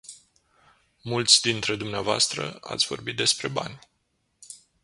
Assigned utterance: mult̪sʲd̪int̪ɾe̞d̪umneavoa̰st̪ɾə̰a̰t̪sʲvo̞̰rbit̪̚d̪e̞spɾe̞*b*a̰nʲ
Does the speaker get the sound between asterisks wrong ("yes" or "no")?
no